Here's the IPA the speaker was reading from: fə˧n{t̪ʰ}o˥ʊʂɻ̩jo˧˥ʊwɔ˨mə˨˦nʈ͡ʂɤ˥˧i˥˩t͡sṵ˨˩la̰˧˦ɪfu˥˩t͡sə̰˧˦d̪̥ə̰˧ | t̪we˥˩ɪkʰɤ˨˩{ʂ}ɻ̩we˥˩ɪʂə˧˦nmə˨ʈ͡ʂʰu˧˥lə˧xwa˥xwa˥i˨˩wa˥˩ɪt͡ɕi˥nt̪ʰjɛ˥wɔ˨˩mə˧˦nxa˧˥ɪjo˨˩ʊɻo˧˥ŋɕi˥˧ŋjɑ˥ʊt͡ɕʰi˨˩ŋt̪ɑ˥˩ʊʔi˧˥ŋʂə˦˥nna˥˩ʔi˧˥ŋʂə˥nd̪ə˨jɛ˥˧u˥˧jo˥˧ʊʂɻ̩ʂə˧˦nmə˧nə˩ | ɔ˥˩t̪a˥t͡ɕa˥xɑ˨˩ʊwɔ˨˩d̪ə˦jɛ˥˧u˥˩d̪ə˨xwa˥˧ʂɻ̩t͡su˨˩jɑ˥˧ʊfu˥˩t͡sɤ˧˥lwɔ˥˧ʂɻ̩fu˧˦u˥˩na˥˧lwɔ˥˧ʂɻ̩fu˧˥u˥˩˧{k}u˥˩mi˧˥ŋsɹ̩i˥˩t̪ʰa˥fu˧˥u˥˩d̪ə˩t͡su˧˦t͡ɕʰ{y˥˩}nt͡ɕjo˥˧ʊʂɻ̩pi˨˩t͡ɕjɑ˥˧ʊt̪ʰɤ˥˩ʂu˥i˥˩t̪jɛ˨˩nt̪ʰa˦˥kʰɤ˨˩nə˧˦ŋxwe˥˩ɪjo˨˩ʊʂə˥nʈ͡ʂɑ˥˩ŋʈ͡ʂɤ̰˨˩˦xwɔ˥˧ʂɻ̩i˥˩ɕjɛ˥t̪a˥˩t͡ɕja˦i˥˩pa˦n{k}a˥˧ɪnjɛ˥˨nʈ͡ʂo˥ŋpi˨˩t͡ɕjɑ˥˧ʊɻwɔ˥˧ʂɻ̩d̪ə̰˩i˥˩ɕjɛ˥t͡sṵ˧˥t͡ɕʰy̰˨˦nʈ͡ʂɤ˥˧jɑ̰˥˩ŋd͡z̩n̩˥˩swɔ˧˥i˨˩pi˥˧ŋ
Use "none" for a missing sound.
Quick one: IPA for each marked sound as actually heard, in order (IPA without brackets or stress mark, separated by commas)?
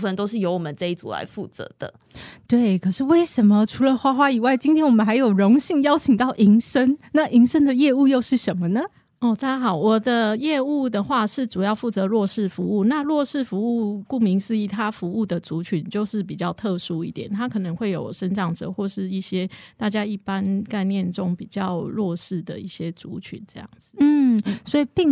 t̪, ʂ, k, y˨˦, k